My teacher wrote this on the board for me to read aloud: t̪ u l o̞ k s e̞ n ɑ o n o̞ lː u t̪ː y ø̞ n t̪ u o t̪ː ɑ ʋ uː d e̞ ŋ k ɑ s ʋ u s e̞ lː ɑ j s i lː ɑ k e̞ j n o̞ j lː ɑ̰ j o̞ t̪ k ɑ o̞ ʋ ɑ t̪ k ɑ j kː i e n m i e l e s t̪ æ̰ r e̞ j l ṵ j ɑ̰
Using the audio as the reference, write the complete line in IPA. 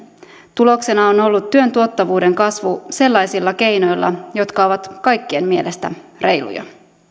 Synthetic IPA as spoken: t̪ u l o̞ k s e̞ n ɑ o n o̞ lː u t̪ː y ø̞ n t̪ u o t̪ː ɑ ʋ uː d e̞ ŋ k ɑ s ʋ u s e̞ lː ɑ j s i lː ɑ k e̞ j n o̞ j lː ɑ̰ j o̞ t̪ k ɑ o̞ ʋ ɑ t̪ k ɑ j kː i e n m i e l e s t̪ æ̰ r e̞ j l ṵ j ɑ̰

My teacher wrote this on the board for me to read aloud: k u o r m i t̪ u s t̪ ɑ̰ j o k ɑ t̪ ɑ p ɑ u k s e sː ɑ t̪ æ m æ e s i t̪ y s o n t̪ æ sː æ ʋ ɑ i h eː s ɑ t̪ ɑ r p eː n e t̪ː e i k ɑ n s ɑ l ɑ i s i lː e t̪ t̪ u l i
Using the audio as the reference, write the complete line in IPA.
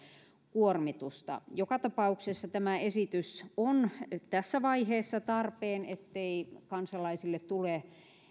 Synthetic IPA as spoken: k u o r m i t̪ u s t̪ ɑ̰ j o k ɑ t̪ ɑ p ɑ u k s e sː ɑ t̪ æ m æ e s i t̪ y s o n t̪ æ sː æ ʋ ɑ i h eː sː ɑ t̪ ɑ r p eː n e t̪ː e i k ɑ n s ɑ l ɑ i s i lː e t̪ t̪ u l e

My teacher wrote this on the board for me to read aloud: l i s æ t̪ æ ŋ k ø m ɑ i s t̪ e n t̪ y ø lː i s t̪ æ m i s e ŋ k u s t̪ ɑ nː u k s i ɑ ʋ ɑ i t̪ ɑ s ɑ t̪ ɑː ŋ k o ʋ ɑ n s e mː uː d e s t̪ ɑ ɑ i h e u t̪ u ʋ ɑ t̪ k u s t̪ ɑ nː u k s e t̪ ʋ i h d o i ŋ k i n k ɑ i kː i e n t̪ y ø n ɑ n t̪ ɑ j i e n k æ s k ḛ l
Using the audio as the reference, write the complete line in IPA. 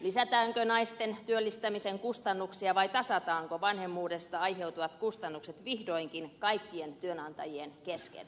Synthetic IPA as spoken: l i s æ t̪ æː ŋ k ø n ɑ i s t̪ e n t̪ y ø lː i s t̪ æ m i s e ŋ k u s t̪ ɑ nː u k s i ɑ ʋ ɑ i t̪ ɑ s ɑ t̪ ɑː ŋ k o ʋ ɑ n h e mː uː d e s t̪ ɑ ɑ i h e u t̪ u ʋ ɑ t̪ k u s t̪ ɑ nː u k s e t̪ ʋ i h d o i ŋ k i n k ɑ i kː i e n t̪ y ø n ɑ n t̪ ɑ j i e n k e s k ḛ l

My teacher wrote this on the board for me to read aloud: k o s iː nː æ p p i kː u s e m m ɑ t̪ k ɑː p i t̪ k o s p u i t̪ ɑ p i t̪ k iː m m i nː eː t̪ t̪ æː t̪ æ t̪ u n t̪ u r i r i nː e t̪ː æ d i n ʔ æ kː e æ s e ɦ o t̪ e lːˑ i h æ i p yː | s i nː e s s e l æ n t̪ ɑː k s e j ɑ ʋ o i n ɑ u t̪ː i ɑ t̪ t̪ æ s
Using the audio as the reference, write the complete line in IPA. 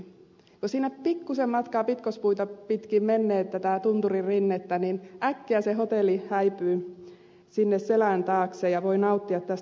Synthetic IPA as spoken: k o s iː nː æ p p i kː u s e m m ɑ t̪ k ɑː p i t̪ k o s p u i t̪ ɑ p i t̪ k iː m m e nː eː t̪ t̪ æ t̪ æ t̪ u n t̪ u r i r i nː e t̪ː æ n i n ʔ æ kː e æ s e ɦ o t̪ e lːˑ i h æ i p yː | s i nː e s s e l æ n t̪ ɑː k s e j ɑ ʋ o i n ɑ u t̪ː i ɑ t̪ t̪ æ s

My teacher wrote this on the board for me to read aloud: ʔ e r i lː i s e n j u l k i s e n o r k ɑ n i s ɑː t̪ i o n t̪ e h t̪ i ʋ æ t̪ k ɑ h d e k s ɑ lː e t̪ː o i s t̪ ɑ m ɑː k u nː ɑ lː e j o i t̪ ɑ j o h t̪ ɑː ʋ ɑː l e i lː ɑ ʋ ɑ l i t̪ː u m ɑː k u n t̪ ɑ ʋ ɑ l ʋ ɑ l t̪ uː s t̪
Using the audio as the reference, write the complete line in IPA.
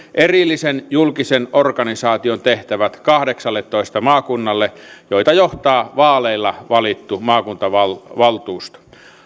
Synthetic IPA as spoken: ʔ e r i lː i s e n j u l k i s e n o r k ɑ n i s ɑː t̪ i o n t̪ e h t̪ æ ʋ æ t̪ k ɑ h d e k s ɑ lː e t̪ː o i s t̪ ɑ m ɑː k u nː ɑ lː e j o i t̪ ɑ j o h t̪ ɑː ʋ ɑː l e i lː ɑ ʋ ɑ l i t̪ː u m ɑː k u n t̪ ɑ ʋ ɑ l ʋ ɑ l t̪ uː s t̪

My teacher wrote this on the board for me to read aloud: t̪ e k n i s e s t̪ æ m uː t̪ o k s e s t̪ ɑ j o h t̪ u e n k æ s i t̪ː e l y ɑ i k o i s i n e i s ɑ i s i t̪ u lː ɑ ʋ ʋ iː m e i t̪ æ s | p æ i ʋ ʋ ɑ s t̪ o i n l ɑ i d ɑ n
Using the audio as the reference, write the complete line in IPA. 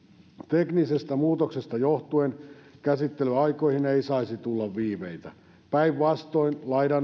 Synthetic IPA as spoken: t̪ e k n i s e s t̪ æ m uː t̪ o k s e s t̪ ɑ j o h t̪ u e n k æ s i t̪ː e l y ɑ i k o i h i n e i s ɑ i s i t̪ u lː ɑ ʋ ʋ iː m e i t̪ æ | p æ i ʋ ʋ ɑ s t̪ o i n l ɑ i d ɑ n

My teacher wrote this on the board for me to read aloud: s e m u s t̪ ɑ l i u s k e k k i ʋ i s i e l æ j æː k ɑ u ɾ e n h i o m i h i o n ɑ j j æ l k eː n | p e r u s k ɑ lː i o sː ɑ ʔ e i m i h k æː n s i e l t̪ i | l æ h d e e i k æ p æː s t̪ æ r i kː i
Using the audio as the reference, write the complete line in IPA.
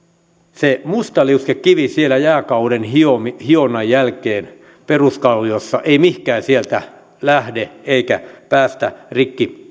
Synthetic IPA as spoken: s e m u s t̪ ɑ l i u s k e k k i ʋ i s i e l æ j æː k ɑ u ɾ e n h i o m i h i o n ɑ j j æ l k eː n | p e r u s k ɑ lː i o sː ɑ ʔ e i m i h k æː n s i e l t̪ æ | l æ h d e e i k æ p æː s t̪ æ r i kː i

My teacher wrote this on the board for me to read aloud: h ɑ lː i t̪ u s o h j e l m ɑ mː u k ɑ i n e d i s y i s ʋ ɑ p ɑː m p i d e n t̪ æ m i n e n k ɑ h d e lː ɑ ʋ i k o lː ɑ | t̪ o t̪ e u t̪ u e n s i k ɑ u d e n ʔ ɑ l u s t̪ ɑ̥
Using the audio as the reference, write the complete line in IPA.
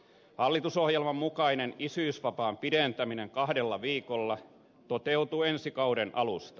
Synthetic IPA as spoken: h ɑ lː i t̪ u s o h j e l m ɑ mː u k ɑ i n e n i s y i s ʋ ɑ p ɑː m p i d e n t̪ æ m i n e ŋ k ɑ h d e lː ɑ ʋ iː k o lː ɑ | t̪ o t̪ e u t̪ u e n s i k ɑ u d e n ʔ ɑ l u s t̪ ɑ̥

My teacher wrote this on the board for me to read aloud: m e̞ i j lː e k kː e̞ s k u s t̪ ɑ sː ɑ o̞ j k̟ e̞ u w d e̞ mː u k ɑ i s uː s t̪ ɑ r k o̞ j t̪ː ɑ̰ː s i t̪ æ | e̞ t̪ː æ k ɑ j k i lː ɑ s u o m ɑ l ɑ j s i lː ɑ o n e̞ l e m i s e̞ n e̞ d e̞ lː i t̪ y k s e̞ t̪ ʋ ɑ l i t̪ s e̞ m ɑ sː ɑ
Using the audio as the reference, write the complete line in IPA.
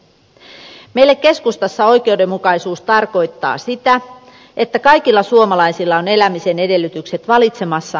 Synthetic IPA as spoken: m e̞ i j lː e k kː e̞ s k u s t̪ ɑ sː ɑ o̞ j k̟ e̞ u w d e̞ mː u k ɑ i s uː s t̪ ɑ r k o̞ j t̪ː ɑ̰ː s i t̪ æ | e̞ t̪ː æ k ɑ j k i lː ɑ s u o m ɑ l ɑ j s i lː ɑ o n e̞ l æ m i s e̞ n e̞ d e̞ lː y t̪ y k s e̞ t̪ ʋ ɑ l i t̪ s e̞ m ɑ sː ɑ

